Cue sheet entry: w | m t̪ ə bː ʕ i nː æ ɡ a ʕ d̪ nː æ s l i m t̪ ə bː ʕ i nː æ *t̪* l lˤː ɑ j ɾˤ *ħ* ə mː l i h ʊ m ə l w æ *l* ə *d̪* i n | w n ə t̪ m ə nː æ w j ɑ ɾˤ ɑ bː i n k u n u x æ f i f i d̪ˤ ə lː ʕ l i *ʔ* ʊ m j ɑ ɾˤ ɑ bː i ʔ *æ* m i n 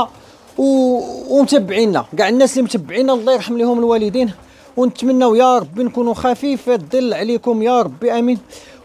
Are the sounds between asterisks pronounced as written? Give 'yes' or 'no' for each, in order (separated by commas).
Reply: no, yes, yes, yes, no, yes